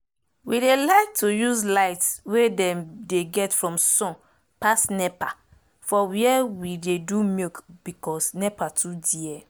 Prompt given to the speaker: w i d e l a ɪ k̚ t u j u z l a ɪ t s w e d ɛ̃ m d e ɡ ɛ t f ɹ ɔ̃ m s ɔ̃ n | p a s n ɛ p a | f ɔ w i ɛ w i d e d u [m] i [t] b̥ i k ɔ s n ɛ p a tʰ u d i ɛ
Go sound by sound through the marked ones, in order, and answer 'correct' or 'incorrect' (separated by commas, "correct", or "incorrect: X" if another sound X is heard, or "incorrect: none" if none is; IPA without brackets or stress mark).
correct, incorrect: k